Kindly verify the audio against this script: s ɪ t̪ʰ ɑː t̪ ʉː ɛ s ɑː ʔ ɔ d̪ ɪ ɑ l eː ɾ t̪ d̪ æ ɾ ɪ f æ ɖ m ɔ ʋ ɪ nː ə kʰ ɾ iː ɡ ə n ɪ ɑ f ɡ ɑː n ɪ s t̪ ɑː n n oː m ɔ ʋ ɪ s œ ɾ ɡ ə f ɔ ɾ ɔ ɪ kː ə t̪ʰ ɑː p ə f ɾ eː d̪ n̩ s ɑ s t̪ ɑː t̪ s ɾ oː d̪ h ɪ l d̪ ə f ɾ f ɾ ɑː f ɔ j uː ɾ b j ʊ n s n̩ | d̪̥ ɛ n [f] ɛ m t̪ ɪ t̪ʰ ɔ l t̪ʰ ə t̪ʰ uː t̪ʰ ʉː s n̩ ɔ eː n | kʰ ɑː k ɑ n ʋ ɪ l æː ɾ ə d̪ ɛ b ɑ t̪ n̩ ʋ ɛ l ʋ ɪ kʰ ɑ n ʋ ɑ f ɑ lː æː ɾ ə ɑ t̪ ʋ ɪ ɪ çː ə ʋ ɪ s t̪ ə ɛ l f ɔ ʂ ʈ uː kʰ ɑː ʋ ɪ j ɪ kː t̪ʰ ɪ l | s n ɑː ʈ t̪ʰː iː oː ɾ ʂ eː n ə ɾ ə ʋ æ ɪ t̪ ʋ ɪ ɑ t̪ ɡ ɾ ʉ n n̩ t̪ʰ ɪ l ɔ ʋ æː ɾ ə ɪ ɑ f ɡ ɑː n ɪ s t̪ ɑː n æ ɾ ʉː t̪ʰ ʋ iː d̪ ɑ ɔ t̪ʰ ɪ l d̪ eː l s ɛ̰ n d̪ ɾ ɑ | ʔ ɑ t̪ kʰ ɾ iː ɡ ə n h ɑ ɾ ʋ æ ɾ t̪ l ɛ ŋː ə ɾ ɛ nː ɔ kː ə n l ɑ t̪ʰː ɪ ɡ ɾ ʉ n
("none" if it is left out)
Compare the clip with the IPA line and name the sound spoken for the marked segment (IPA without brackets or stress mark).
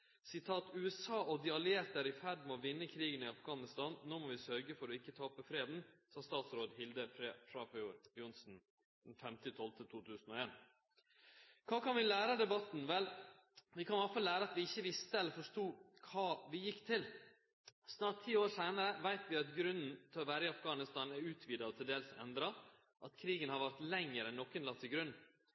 f